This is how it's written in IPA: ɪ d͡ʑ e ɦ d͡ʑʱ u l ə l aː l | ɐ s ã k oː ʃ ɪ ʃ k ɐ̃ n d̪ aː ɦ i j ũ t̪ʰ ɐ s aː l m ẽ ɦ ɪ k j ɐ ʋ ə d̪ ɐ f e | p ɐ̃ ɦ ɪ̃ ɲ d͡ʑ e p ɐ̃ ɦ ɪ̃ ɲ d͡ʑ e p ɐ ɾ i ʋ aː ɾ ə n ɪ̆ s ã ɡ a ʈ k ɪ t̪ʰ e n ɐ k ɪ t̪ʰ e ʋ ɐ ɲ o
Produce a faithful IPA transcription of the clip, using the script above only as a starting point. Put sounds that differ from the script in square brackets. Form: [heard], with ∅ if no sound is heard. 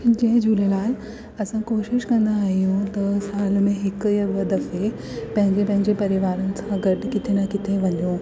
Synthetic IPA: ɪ d͡ʑ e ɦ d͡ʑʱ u l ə l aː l | ɐ s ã k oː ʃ ɪ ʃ k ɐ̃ n d̪ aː ɦ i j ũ [t̪] ɐ s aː l m ẽ ɦ ɪ k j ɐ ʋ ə d̪ ɐ f e | p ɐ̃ ɦ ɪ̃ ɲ d͡ʑ e p ɐ̃ ɦ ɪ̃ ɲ d͡ʑ e p ɐ ɾ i ʋ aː ɾ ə n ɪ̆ s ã ɡ [ɐ] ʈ k ɪ t̪ʰ e n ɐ k ɪ t̪ʰ e ʋ ɐ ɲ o